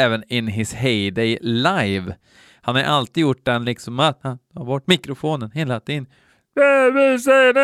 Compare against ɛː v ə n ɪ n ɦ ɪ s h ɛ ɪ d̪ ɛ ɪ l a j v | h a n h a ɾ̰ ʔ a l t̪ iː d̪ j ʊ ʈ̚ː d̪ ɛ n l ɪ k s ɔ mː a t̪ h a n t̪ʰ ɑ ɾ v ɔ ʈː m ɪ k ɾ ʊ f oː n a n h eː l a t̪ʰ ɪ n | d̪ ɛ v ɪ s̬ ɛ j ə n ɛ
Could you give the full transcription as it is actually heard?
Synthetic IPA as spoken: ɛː v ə n ɪ n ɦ ɪ s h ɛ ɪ d̪ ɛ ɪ l a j v | h a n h a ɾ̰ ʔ a l t̪ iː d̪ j ʊ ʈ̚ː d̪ ɛ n l ɪ k s ɔ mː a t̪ h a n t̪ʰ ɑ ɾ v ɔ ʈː m ɪ k ɾ ʊ f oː n ə n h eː l a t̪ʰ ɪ n | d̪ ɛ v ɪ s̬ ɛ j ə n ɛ